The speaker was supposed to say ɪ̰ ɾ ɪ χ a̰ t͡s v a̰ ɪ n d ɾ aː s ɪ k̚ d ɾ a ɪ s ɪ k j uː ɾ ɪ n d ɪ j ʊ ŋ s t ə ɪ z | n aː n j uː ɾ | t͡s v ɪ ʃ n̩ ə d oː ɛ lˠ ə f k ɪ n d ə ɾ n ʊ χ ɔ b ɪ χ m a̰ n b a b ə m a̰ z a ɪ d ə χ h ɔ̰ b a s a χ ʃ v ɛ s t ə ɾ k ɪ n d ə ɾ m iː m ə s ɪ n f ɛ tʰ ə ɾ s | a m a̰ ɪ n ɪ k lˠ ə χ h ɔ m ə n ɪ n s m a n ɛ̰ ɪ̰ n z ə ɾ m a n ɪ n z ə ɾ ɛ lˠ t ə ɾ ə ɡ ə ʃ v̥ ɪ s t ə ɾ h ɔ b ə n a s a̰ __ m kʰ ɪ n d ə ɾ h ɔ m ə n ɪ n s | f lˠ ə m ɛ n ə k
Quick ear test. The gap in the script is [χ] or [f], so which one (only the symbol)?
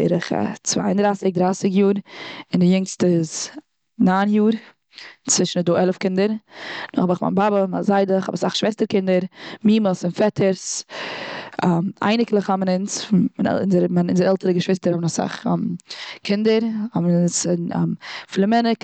χ